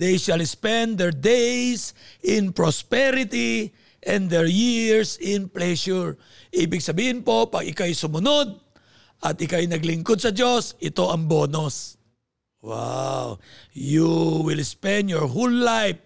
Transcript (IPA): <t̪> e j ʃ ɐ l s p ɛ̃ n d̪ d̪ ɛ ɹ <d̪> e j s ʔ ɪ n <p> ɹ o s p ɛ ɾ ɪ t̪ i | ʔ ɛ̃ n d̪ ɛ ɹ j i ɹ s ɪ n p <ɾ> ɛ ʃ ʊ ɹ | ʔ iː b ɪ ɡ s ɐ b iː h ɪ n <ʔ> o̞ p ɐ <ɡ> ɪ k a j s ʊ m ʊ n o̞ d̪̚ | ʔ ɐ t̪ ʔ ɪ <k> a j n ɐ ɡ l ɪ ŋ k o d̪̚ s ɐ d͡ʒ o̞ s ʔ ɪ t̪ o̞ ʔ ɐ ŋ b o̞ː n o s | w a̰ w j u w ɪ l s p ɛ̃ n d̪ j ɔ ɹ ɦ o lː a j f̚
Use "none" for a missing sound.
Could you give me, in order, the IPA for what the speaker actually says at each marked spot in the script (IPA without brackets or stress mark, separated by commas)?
d̪, d̪, p, l, p, ɡ, k